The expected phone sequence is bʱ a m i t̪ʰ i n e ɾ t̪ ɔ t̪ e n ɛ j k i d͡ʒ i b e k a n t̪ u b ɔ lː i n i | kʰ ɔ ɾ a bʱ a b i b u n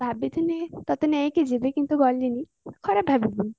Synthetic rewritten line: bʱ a b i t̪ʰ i n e t̪ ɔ t̪ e n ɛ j k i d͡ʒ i b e k i n t̪ u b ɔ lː i n i | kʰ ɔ ɾ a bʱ a b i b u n